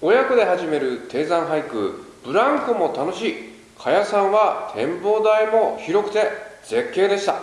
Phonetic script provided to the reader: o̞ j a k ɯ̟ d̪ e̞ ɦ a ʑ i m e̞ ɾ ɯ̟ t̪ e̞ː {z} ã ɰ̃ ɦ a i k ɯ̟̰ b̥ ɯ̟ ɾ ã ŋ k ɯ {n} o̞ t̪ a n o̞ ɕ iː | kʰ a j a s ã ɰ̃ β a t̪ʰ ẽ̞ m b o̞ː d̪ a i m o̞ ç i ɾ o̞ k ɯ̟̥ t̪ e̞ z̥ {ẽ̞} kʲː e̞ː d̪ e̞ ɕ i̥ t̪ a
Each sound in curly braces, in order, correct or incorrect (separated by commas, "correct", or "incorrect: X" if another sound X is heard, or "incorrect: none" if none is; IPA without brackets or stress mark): correct, incorrect: m, incorrect: e̞